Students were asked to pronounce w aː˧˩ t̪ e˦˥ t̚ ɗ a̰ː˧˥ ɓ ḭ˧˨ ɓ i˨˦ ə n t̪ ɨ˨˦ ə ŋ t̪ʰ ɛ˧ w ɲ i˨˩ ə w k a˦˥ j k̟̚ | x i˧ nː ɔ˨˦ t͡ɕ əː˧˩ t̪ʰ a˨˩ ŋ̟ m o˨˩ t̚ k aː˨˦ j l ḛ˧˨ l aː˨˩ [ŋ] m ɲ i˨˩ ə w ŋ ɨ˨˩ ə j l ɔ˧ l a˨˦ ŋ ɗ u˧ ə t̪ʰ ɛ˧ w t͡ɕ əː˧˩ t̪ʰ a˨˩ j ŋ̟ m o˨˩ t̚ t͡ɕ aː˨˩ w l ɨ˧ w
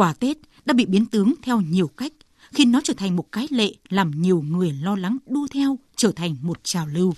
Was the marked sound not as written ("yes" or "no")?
yes